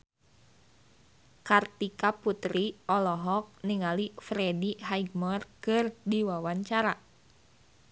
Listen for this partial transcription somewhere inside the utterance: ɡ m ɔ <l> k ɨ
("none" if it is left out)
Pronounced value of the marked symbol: r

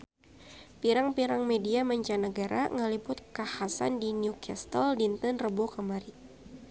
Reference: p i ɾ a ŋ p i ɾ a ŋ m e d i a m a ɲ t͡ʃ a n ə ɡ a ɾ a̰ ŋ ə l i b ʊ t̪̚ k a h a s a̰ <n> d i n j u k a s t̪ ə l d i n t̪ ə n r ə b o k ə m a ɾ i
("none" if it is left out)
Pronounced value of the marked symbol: n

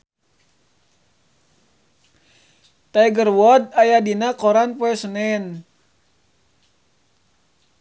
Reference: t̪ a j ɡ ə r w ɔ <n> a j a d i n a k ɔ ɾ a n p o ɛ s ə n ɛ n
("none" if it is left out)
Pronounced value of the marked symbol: d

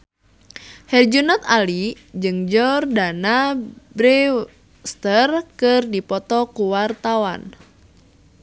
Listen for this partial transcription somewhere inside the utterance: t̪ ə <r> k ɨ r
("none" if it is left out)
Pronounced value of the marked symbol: r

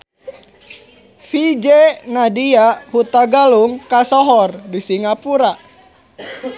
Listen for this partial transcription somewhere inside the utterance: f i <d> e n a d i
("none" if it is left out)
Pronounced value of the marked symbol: d͡ʒ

